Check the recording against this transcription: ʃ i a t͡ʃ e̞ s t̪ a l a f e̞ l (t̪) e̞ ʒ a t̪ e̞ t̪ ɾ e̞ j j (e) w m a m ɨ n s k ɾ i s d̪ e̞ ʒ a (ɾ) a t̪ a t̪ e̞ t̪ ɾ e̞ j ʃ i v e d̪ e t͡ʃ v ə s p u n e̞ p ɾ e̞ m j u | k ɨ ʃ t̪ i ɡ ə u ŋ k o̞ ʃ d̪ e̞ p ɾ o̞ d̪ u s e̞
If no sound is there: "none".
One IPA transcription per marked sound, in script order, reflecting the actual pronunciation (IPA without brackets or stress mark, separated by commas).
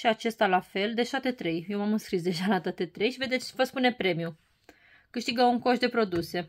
d̪, e, l